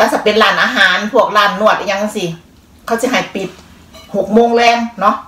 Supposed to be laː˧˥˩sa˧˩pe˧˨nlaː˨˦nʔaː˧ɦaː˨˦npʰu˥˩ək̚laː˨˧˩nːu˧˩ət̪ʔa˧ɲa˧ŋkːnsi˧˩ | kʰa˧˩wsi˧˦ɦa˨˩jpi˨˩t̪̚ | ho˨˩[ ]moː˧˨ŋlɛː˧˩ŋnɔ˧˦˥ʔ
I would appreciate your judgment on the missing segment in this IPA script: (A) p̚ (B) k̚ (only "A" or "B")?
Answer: B